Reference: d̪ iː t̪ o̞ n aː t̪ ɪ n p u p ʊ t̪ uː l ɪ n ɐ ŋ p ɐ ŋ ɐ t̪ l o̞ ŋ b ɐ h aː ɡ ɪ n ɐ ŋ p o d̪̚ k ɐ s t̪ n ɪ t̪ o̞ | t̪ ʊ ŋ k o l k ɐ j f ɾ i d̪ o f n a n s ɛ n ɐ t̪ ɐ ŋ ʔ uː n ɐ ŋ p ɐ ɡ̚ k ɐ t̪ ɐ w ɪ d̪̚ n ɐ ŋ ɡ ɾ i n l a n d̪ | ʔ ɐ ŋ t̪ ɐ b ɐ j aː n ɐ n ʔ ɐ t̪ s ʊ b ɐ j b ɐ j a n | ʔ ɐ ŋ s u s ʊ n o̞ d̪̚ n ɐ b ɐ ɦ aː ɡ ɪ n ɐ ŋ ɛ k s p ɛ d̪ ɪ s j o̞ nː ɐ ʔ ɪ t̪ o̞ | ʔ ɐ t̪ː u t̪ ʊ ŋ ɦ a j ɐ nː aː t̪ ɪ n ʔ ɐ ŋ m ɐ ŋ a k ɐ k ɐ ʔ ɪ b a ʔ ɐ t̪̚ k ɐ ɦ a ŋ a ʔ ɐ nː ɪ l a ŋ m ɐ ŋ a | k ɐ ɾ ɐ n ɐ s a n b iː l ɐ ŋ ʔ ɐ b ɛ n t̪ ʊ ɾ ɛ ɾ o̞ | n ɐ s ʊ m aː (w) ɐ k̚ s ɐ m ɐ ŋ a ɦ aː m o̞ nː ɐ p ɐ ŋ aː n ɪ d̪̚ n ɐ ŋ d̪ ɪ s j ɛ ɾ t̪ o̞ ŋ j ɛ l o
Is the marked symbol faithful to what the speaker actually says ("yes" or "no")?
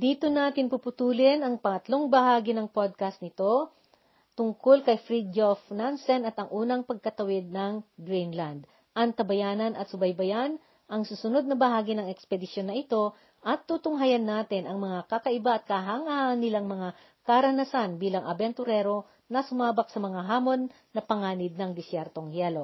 no